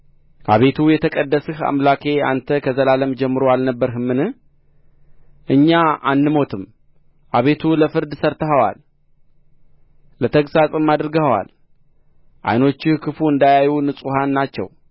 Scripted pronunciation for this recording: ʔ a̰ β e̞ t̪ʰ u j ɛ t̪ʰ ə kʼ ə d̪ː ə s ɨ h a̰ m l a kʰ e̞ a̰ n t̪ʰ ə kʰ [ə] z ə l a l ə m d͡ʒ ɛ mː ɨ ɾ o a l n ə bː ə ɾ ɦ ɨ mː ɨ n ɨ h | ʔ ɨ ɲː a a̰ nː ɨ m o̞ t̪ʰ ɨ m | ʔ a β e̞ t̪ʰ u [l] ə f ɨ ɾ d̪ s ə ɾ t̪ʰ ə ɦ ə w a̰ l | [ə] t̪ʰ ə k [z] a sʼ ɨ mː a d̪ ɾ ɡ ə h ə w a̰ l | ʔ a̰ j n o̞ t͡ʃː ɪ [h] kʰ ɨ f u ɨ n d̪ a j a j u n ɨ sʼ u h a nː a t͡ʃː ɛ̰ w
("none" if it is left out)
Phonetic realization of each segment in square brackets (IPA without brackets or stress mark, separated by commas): ə, l, ə, s, h